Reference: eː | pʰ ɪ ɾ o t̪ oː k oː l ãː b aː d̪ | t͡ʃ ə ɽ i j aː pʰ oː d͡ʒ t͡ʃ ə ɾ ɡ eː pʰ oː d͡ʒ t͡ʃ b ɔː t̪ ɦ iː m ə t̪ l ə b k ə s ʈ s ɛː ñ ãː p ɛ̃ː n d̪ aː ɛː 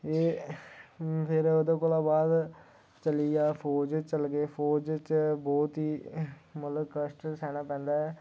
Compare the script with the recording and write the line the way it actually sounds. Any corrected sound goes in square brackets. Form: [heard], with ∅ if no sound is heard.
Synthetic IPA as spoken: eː | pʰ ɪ ɾ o [d̪] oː k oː l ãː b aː d̪ | t͡ʃ ə [l] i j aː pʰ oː d͡ʒ t͡ʃ ə [l] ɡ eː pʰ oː d͡ʒ t͡ʃ b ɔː t̪ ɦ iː m ə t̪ l ə b k ə s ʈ s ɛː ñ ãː p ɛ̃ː n d̪ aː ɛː